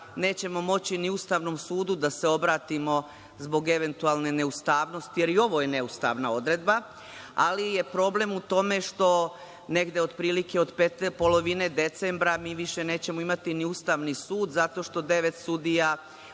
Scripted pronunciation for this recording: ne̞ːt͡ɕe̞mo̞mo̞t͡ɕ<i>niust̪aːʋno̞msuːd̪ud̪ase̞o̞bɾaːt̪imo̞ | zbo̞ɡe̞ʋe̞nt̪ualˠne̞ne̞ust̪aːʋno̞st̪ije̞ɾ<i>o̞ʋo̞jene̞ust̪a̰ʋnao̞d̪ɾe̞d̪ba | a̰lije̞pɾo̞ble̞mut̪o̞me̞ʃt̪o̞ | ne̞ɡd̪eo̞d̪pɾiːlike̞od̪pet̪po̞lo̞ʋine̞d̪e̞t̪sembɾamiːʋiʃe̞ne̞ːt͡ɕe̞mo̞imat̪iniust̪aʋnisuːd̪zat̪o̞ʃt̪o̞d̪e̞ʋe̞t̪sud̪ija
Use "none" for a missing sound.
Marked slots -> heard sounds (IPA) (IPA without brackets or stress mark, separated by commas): i, i